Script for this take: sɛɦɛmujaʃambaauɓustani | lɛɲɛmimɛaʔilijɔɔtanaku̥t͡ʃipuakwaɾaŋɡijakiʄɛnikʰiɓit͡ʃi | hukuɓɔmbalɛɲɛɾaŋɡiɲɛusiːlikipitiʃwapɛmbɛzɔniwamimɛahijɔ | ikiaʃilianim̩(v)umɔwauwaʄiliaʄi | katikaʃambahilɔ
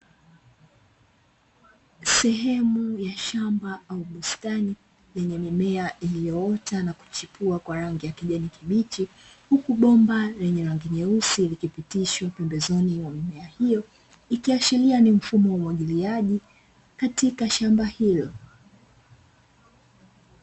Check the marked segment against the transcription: incorrect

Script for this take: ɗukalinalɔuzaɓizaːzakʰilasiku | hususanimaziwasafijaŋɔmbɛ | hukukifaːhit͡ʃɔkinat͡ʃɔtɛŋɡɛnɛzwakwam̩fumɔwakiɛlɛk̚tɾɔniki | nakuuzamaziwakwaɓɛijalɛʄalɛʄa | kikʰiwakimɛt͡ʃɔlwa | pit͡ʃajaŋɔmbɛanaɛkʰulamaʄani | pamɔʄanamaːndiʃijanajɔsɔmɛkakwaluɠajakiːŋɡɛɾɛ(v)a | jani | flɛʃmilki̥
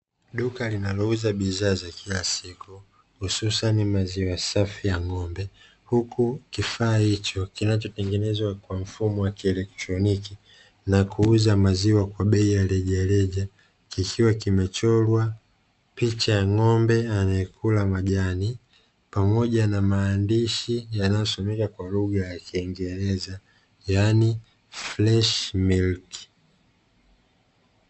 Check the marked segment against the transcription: incorrect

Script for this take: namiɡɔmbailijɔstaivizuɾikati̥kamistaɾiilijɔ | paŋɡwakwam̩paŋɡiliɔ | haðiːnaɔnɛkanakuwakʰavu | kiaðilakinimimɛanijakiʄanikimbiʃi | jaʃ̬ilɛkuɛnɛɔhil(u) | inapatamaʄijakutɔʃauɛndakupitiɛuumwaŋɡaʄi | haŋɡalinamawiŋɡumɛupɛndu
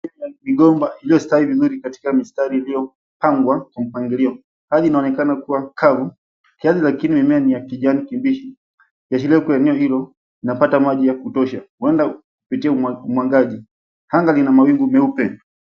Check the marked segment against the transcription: incorrect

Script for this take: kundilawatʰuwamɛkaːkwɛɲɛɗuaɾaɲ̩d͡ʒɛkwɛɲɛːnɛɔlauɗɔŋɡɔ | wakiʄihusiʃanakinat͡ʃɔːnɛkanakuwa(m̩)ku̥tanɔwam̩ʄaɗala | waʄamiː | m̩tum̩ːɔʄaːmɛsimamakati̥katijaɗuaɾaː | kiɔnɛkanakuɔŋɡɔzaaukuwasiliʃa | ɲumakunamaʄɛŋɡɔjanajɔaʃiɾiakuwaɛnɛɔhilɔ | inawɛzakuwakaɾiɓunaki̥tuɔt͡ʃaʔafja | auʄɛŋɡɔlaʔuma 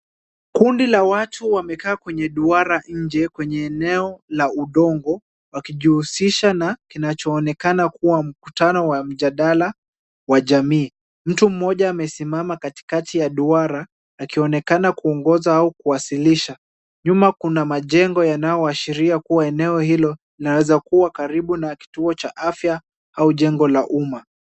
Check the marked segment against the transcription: correct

